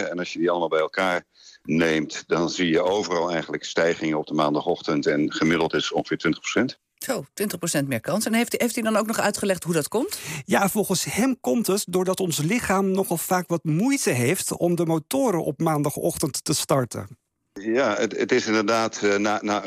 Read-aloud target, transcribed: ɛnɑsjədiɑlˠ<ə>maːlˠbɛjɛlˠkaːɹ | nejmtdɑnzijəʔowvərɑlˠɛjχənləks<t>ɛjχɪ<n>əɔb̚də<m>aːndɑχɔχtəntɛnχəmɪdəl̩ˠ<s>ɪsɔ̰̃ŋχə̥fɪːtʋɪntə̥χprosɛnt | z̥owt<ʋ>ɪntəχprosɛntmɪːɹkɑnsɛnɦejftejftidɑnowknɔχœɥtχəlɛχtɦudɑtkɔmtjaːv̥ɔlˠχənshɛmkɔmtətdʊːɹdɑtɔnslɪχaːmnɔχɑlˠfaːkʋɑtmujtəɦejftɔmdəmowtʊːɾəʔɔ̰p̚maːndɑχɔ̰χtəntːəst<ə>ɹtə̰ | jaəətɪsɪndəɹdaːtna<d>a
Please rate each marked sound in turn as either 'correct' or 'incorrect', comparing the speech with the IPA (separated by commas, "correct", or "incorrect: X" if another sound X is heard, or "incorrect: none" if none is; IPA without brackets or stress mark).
correct, correct, incorrect: ŋ, correct, incorrect: t, correct, incorrect: ɑ, incorrect: n